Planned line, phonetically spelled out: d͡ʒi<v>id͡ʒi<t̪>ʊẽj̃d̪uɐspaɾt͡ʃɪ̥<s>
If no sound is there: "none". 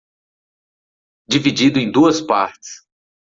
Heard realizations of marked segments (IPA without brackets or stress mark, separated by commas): v, d̪, s